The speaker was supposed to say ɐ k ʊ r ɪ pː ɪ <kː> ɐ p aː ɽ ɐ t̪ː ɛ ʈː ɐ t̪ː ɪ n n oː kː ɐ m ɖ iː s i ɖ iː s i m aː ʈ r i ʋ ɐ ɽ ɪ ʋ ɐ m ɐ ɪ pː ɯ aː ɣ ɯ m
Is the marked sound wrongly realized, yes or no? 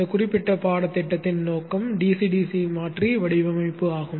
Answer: yes